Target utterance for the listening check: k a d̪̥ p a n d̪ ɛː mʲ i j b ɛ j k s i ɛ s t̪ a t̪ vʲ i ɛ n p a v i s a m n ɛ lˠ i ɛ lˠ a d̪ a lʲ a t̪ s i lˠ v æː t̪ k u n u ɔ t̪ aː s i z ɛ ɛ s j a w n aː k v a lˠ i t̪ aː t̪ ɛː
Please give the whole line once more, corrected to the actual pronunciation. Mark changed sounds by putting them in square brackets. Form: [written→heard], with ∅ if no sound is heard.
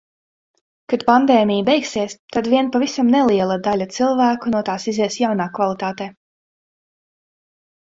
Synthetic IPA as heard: k a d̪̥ p a n d̪ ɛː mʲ i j b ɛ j k s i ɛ s t̪ a [t̪→d̪] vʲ i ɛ n p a v i s a m n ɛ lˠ i ɛ lˠ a d̪ a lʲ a t̪ s i lˠ v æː [t̪→∅] k u n u ɔ t̪ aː s i z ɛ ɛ s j a w n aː k v a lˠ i t̪ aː t̪ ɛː